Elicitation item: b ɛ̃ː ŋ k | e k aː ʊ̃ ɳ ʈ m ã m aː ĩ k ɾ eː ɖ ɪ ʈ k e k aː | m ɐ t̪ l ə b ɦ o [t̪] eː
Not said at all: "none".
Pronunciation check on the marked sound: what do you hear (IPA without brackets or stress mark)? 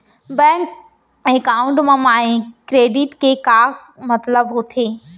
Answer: t̪ʰ